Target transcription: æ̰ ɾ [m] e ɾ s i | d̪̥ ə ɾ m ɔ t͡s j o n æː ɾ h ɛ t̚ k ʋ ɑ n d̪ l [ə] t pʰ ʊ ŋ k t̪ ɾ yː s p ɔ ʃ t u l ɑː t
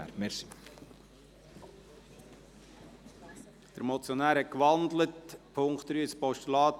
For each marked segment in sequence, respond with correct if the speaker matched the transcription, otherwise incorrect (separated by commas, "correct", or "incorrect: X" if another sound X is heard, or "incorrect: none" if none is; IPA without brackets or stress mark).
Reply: correct, correct